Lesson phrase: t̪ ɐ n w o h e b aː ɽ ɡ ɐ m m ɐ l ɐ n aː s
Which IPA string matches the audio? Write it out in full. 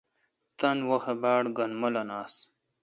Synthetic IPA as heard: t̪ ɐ n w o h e b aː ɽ ɡ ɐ n m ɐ l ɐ n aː s